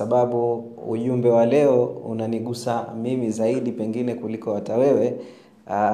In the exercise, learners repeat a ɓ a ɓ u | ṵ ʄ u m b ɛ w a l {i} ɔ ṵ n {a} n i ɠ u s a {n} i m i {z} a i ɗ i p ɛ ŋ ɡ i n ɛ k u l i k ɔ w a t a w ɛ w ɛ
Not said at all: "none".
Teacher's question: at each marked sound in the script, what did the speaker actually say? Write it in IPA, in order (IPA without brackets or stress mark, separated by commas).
ɛ, a, m, z